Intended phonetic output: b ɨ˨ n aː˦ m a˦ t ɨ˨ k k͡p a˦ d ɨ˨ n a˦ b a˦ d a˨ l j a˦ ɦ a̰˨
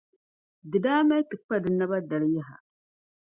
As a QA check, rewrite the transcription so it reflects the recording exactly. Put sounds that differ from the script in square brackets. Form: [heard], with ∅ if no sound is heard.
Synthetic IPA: [d] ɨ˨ [d] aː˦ m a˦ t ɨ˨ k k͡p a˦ d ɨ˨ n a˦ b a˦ d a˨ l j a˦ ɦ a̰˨